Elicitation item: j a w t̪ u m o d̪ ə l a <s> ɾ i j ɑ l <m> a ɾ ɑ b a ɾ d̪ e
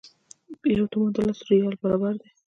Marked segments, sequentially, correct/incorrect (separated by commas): correct, incorrect